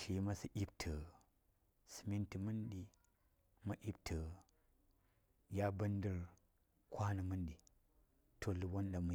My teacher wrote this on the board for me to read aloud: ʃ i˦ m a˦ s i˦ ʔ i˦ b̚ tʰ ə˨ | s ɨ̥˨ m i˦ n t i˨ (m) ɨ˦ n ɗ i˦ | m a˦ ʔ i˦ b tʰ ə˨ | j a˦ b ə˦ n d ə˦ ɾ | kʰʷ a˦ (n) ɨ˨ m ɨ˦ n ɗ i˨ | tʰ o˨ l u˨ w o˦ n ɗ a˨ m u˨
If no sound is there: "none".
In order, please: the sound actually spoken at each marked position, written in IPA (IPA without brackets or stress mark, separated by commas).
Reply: m, n